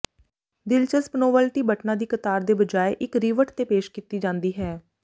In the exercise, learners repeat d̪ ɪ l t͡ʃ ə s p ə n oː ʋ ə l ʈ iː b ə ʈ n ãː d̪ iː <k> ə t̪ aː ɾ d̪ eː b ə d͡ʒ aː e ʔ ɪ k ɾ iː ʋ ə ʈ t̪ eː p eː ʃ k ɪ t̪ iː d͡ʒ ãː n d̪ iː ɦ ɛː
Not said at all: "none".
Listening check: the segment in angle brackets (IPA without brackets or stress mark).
k